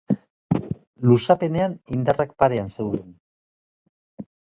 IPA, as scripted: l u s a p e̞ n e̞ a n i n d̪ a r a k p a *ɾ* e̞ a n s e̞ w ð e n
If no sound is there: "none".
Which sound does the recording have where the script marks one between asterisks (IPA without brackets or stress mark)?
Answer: ɾ